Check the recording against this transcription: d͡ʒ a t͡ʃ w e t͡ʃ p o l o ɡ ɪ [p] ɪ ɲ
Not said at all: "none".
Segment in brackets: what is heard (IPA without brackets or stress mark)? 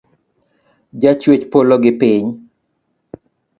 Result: p